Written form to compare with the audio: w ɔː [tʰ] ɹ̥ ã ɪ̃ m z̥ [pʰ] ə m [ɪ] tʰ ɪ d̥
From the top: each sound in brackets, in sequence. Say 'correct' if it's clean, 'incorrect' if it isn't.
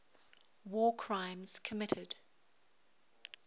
incorrect: kʰ, incorrect: kʰ, correct

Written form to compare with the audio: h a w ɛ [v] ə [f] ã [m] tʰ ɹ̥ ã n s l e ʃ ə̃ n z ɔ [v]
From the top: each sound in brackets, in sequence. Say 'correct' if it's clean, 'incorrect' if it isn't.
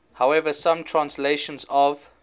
correct, incorrect: s, correct, correct

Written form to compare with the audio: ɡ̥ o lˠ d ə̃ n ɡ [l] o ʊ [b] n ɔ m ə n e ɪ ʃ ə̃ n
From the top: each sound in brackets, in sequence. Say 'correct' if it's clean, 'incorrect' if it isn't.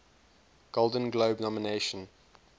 correct, correct

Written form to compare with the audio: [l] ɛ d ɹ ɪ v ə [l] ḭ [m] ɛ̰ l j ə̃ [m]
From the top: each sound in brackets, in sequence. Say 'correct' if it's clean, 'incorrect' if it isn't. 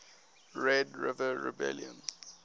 incorrect: ɹ, incorrect: ɹ, incorrect: b, incorrect: n

